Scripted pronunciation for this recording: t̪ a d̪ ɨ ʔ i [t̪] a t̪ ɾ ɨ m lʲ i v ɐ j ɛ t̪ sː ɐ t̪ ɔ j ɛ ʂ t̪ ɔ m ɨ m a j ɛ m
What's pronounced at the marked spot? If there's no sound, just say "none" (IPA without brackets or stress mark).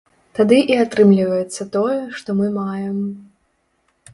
none